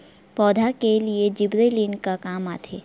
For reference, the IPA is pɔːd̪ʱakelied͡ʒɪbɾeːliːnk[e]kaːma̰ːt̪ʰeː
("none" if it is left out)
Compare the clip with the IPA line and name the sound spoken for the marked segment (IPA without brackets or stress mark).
a